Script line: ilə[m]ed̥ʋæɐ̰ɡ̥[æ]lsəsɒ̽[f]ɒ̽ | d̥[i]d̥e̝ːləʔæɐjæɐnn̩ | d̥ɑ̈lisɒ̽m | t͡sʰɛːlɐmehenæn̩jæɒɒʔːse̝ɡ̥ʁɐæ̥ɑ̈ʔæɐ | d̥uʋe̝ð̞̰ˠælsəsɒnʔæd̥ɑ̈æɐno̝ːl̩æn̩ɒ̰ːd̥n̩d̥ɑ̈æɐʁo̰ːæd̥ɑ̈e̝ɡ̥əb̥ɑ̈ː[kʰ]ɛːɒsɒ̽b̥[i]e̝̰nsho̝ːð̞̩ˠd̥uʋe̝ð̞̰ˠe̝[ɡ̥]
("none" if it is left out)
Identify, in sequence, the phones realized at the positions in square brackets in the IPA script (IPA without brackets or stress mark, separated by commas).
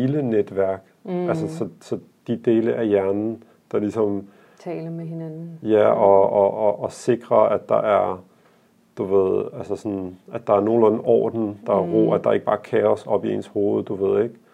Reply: n, æ, s, i, kʰ, i, ɡ̥